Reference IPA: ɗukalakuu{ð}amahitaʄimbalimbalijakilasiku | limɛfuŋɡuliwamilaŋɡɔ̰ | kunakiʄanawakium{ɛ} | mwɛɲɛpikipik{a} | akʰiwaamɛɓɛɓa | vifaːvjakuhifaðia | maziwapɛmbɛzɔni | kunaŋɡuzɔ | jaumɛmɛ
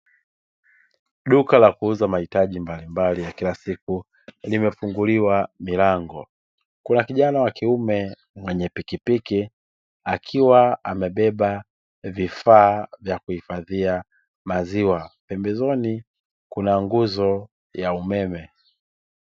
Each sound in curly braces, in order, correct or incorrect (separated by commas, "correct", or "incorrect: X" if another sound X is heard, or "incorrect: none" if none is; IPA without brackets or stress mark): incorrect: z, correct, incorrect: i